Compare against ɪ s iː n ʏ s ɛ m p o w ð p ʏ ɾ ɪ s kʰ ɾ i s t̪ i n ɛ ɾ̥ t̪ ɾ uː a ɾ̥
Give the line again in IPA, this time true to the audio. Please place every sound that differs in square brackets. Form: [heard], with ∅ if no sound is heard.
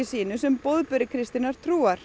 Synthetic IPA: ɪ s iː n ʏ s ɛ m p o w ð p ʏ ɾ ɪ [∅] kʰ ɾ [ɪ] s t̪ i n [a] ɾ̥ [t̪ʰ] ɾ uː a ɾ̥